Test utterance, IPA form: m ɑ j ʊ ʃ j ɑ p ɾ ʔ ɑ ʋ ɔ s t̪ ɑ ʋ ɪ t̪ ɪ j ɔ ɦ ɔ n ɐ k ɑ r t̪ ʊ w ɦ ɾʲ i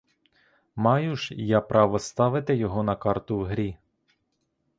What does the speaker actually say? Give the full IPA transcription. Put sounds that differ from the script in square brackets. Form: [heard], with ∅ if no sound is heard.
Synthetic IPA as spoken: m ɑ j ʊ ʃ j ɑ p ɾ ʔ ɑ ʋ ɔ s t̪ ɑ ʋ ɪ t̪ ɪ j ɔ ɦ ɔ n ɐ k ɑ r t̪ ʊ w ɦ ɾʲ i